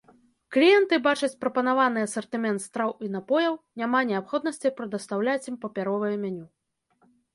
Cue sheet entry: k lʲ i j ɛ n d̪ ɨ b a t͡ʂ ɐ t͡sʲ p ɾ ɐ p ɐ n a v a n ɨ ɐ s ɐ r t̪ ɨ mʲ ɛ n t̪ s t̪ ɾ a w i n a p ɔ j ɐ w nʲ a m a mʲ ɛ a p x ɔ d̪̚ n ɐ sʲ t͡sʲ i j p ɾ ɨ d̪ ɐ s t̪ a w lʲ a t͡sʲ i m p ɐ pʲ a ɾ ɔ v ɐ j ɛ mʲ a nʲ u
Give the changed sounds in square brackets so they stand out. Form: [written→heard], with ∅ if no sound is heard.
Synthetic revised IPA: k lʲ i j ɛ n [d̪→t̪] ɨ b a t͡ʂ ɐ t͡sʲ p ɾ ɐ p ɐ n a v a n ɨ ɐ s ɐ r t̪ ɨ mʲ ɛ n t̪ s t̪ ɾ a w i n a p ɔ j ɐ w nʲ a m a [mʲ→nʲ] ɛ a p x ɔ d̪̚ n ɐ sʲ t͡sʲ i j p ɾ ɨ d̪ ɐ s t̪ a w lʲ a t͡sʲ i m p ɐ pʲ a ɾ ɔ v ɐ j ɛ mʲ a nʲ u

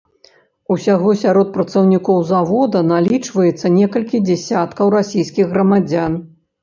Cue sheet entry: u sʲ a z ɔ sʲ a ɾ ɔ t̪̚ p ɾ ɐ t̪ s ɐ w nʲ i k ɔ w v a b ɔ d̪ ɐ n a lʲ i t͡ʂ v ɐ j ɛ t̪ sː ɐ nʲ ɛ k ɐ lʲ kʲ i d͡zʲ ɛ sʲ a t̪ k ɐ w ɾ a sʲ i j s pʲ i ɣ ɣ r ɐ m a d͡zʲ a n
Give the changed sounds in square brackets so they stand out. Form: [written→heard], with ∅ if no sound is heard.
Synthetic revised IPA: u sʲ a [z→ɣ] ɔ sʲ a ɾ ɔ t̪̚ p ɾ ɐ t̪ s ɐ w nʲ i k ɔ w [v→z] a [b→v] ɔ d̪ ɐ n a lʲ i t͡ʂ v ɐ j ɛ t̪ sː ɐ nʲ ɛ k ɐ lʲ kʲ i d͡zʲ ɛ sʲ a t̪ k ɐ w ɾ a sʲ i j s [pʲ→kʲ] i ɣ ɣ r ɐ m a d͡zʲ a n

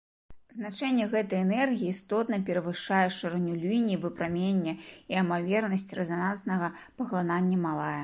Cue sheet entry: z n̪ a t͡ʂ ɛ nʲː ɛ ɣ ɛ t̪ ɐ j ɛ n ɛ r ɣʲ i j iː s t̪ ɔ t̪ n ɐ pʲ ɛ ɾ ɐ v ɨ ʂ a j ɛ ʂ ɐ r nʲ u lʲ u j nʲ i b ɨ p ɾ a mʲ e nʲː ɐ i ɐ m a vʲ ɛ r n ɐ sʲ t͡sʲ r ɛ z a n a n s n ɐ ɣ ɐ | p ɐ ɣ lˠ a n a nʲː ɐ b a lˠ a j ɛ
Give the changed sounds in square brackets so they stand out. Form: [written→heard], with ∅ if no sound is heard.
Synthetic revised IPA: z n̪ a t͡ʂ ɛ nʲː ɛ ɣ ɛ t̪ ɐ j ɛ n ɛ r ɣʲ i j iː s t̪ ɔ t̪ n ɐ pʲ ɛ ɾ ɐ v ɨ ʂ a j ɛ ʂ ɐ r nʲ u lʲ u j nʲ i [b→v] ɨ p ɾ a mʲ e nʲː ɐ i ɐ m a vʲ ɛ r n ɐ sʲ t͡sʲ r ɛ z a n a n s n ɐ ɣ ɐ | p ɐ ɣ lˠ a n a nʲː ɐ [b→m] a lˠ a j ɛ

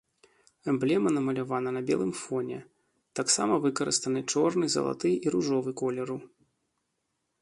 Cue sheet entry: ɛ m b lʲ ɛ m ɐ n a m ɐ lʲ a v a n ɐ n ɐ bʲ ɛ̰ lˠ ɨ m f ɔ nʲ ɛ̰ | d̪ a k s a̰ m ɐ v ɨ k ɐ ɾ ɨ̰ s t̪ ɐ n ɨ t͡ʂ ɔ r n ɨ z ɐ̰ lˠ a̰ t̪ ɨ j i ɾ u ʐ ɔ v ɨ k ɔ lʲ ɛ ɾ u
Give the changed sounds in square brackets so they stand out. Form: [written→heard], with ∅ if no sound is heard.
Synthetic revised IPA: ɛ m b lʲ ɛ m ɐ n [a→ɐ] m ɐ lʲ a v a n ɐ n ɐ bʲ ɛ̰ lˠ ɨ m f ɔ nʲ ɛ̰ | [d̪→t̪] a k s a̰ m ɐ v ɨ k ɐ ɾ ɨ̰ s t̪ ɐ n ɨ t͡ʂ ɔ r n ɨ z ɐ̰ lˠ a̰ t̪ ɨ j i ɾ u ʐ ɔ v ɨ k ɔ lʲ ɛ ɾ u

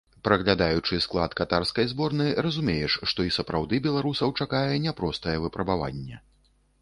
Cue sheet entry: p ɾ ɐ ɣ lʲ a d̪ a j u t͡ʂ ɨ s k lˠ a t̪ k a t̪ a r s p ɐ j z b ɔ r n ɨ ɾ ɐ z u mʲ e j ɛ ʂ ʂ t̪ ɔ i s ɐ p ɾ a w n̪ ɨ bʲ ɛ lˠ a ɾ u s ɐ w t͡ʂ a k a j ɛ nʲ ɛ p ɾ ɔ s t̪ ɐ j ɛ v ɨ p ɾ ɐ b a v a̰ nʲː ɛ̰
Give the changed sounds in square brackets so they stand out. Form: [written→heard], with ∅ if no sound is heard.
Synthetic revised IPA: p ɾ ɐ ɣ lʲ a d̪ a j u t͡ʂ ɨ s k lˠ a t̪ k a t̪ a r s [p→k] ɐ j z b ɔ r n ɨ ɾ ɐ z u mʲ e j ɛ ʂ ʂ t̪ ɔ i s ɐ p ɾ a w [n̪→d̪] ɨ bʲ ɛ lˠ a ɾ u s ɐ w t͡ʂ a k a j ɛ nʲ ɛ p ɾ ɔ s t̪ ɐ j ɛ v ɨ p ɾ ɐ b a v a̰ nʲː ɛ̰

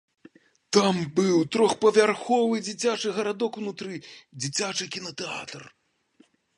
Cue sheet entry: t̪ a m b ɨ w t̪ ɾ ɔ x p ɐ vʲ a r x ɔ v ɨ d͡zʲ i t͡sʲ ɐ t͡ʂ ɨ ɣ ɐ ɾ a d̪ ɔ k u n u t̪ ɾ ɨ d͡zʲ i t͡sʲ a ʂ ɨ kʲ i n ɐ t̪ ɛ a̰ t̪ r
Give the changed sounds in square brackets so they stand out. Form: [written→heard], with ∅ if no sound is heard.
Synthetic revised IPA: t̪ a m b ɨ w t̪ ɾ ɔ x p ɐ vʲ a r x ɔ v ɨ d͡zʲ i t͡sʲ [ɐ→a] t͡ʂ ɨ ɣ ɐ ɾ a d̪ ɔ k u n u t̪ ɾ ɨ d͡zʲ i t͡sʲ a [ʂ→t͡ʂ] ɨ kʲ i n ɐ t̪ ɛ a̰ t̪ r

